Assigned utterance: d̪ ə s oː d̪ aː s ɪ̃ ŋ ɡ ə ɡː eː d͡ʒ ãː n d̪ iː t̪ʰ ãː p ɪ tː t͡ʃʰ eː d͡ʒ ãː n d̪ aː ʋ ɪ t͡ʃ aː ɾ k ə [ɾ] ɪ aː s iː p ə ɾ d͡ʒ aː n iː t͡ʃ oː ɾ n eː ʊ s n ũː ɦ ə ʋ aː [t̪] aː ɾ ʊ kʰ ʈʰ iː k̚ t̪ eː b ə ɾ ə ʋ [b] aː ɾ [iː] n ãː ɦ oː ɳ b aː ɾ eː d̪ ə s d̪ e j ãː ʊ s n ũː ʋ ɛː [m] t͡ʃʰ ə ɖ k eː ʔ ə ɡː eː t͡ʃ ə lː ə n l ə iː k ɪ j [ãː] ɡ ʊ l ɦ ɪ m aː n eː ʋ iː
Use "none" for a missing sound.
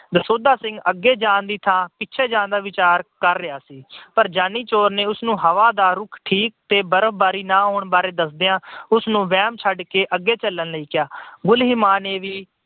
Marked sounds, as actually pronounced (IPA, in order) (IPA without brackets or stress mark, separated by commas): ɾː, d̪, b, iː, m, aː